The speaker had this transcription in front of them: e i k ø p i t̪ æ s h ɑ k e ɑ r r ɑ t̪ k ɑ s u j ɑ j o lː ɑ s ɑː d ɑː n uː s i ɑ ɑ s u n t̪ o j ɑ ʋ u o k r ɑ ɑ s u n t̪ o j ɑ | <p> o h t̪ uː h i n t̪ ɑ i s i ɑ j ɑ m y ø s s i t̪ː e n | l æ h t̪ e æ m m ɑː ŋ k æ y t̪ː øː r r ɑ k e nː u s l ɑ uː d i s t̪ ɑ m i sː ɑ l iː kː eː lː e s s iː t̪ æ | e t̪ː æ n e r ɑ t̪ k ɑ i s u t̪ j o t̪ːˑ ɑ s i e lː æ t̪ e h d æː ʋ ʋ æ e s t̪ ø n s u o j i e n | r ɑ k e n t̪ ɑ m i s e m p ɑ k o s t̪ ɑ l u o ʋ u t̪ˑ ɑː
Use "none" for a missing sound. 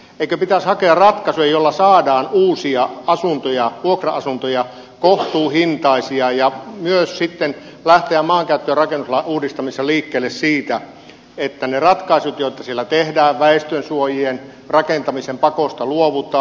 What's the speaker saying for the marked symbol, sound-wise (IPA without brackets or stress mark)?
k